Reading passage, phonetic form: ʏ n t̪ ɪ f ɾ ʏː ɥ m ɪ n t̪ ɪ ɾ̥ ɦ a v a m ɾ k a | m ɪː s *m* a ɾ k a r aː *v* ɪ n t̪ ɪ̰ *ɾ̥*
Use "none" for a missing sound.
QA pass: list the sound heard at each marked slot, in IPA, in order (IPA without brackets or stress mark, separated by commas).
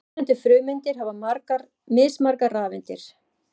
m, v, ɾ̥